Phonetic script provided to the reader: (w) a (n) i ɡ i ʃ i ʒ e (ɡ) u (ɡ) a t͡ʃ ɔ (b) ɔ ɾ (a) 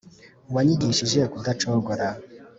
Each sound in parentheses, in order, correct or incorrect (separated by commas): correct, incorrect, incorrect, incorrect, incorrect, correct